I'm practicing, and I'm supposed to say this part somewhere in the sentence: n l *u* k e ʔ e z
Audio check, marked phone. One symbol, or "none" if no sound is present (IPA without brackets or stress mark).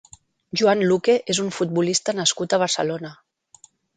u